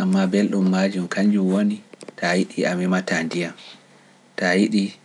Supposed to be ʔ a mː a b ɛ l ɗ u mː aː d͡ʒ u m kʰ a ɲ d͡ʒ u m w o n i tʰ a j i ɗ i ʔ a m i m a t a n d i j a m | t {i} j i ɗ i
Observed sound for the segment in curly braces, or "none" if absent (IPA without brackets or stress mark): a